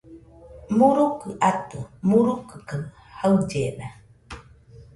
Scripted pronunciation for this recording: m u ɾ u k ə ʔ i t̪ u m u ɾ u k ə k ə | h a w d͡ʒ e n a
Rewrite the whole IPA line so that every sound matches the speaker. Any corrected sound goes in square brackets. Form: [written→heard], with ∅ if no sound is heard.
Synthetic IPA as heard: m u ɾ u k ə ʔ [i→a] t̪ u m u ɾ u k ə k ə | h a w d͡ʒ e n a